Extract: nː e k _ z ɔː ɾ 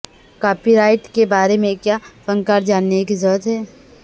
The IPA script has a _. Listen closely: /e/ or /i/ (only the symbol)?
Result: i